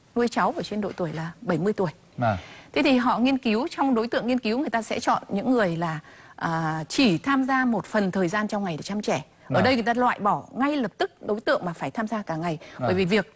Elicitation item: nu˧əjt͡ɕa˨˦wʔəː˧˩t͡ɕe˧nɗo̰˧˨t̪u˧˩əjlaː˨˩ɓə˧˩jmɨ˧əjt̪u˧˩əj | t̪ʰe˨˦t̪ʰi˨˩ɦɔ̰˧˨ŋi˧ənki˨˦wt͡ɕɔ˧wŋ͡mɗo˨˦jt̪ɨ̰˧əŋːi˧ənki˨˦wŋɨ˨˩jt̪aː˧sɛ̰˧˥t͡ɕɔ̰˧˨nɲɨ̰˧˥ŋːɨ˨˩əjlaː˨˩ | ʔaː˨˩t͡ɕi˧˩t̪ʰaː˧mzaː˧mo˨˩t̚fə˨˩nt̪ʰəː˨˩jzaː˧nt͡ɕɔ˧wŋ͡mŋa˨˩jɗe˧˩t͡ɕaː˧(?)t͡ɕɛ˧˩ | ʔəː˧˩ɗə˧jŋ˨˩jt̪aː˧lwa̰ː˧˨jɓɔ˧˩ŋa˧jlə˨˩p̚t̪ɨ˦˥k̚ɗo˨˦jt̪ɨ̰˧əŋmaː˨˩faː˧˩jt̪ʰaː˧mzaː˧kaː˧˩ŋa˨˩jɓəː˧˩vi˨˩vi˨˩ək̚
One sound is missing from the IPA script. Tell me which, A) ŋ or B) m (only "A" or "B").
B